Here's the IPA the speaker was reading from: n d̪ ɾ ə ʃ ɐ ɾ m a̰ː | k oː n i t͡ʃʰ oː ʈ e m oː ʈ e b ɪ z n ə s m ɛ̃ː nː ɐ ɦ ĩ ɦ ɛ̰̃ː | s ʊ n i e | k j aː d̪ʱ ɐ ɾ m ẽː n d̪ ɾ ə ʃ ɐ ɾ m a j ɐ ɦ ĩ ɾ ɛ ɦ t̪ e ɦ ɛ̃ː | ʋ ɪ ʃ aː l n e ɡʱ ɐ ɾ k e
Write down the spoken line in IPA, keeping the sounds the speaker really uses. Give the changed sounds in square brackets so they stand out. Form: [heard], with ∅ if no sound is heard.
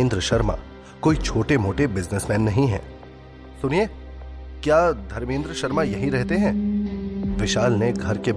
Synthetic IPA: n d̪ ɾ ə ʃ ɐ ɾ m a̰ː | k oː [∅] i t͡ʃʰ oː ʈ e m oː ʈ e b ɪ z n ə s m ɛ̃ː nː ɐ ɦ ĩ ɦ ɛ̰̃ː | s ʊ n i e | k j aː d̪ʱ ɐ ɾ m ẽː n d̪ ɾ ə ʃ ɐ ɾ m a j ɐ ɦ ĩ ɾ ɛ ɦ t̪ e ɦ ɛ̃ː | ʋ ɪ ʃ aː l n e ɡʱ ɐ ɾ k e